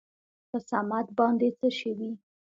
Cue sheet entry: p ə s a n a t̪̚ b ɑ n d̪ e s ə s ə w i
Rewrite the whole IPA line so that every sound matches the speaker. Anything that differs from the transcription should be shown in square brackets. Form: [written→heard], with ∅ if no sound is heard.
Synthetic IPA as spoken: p ə s a [n→m] a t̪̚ b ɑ n d̪ e [s→t͡s] ə [s→ʃ] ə w i